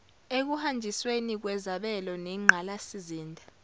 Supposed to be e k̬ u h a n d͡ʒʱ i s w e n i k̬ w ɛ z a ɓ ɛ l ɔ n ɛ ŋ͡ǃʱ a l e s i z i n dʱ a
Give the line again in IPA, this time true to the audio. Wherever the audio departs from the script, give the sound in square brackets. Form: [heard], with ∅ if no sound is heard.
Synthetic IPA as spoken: e k̬ u h a n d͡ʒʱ i s w e n i k̬ w ɛ z a ɓ ɛ l ɔ n ɛ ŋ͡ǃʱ a l [a] s i z [iː] n dʱ a